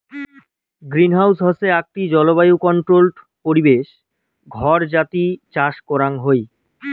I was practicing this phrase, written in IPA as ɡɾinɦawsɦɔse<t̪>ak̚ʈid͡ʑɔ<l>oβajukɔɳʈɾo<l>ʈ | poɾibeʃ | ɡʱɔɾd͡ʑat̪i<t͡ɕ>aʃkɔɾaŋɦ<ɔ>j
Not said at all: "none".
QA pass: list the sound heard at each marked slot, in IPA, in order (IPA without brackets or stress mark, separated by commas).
none, l, l, t͡ɕ, o